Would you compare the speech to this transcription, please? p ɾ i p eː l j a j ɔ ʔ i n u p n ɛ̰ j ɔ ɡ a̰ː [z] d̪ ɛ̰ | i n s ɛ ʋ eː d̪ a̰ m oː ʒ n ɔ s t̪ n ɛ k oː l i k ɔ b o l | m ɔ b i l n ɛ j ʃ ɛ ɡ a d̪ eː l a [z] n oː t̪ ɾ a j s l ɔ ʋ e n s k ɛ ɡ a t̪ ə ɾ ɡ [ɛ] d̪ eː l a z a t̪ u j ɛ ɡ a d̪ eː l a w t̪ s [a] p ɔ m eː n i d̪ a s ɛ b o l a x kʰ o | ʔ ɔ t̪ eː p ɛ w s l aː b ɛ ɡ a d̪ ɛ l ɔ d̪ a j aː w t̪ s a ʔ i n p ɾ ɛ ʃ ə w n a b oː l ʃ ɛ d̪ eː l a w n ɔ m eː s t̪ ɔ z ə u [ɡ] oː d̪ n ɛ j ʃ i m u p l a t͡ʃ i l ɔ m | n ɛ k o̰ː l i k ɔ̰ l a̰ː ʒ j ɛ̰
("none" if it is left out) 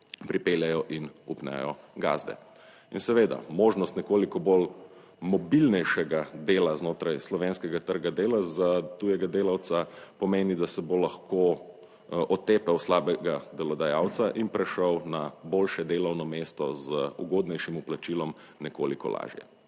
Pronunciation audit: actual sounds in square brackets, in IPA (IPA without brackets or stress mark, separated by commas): z, z, a, a, ɡ